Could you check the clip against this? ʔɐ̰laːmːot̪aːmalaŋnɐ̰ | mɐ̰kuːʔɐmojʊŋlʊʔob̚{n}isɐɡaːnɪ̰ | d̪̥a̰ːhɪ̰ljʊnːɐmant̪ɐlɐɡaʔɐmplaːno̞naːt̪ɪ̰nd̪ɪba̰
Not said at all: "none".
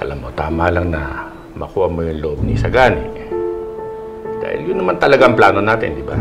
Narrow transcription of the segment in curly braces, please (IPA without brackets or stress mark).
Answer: n